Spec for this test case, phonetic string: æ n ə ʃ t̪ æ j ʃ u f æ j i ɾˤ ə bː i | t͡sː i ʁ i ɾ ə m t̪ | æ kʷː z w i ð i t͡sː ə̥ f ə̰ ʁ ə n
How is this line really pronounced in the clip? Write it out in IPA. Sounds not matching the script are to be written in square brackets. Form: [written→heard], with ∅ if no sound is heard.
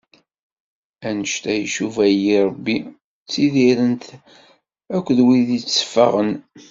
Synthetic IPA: æ n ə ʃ t̪ æ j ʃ u [f→v] æ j i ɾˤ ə bː i | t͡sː i [ʁ→ð] i ɾ ə [m→n] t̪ | æ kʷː [z→ð] w i ð i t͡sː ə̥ f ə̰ ʁ ə n